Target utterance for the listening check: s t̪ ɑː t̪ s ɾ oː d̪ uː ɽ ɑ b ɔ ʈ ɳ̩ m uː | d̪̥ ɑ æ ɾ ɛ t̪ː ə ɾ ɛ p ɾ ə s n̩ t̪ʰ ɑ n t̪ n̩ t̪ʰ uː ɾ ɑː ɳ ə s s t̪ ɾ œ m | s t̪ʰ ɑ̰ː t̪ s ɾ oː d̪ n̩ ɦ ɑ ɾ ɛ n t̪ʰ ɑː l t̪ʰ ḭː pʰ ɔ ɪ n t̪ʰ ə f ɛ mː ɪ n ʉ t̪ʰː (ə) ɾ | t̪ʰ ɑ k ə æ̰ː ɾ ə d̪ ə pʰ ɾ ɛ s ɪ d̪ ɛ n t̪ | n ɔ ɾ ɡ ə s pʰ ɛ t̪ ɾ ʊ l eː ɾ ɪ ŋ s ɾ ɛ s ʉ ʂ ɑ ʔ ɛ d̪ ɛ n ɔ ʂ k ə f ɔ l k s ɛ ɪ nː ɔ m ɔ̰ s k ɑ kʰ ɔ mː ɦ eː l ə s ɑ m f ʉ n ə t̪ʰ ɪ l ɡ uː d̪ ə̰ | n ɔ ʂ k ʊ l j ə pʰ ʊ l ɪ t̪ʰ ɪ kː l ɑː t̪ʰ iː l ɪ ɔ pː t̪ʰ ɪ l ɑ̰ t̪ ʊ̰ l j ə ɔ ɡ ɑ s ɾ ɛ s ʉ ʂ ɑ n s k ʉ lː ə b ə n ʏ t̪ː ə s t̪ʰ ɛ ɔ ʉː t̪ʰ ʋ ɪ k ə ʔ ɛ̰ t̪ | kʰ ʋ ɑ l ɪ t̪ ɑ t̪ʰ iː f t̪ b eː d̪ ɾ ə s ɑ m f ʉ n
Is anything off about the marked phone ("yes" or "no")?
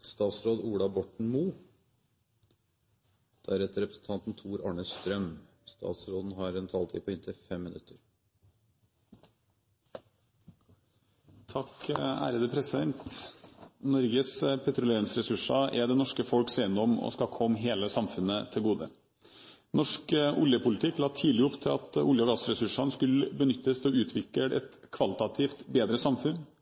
no